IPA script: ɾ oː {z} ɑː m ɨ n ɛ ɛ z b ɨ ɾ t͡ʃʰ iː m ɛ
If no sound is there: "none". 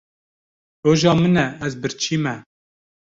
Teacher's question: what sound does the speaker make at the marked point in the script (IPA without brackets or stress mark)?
ʒ